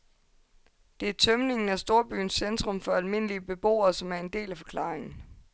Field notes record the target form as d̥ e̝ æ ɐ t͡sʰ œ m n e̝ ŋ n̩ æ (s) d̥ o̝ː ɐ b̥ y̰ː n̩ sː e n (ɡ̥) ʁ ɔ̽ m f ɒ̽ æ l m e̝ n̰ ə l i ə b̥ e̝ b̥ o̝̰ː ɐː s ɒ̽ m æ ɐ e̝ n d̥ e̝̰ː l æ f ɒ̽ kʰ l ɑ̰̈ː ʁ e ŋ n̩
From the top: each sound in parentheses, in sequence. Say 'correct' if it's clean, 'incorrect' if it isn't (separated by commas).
correct, incorrect